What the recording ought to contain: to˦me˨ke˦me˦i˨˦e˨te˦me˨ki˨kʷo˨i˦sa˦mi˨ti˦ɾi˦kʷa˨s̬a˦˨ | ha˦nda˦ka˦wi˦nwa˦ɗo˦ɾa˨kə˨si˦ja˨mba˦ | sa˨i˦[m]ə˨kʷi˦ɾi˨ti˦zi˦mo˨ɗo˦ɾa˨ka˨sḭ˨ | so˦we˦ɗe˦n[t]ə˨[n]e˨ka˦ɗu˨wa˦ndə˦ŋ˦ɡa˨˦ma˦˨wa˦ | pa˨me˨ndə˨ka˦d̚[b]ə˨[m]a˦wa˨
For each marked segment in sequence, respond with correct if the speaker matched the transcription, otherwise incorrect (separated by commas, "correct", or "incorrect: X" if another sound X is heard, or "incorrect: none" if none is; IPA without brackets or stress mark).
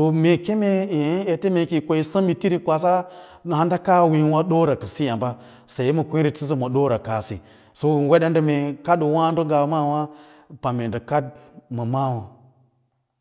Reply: correct, incorrect: d, incorrect: m, incorrect: m, correct